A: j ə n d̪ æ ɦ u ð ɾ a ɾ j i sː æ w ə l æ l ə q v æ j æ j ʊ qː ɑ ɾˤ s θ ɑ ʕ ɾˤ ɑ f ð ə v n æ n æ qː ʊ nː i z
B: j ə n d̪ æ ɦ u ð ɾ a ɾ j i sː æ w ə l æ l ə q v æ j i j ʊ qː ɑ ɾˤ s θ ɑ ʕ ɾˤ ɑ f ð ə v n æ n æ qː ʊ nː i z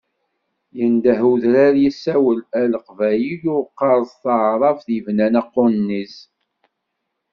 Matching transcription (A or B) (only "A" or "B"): B